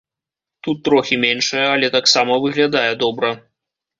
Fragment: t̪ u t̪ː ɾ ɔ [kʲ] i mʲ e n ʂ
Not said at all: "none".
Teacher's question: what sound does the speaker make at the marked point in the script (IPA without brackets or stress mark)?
xʲ